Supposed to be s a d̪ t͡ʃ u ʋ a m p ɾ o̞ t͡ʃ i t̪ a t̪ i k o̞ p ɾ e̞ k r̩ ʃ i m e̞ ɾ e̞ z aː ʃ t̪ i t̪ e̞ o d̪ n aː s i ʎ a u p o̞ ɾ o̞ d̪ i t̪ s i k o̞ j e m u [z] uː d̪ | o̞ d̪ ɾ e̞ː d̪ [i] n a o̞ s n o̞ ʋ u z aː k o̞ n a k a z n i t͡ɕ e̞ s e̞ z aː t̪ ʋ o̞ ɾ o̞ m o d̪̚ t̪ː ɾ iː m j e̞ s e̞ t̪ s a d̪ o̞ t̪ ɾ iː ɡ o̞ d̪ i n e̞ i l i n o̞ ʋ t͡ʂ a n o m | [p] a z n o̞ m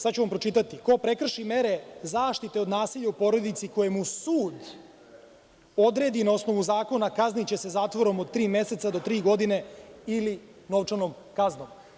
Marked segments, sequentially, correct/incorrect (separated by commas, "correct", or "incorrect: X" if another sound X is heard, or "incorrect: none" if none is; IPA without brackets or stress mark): incorrect: s, correct, incorrect: k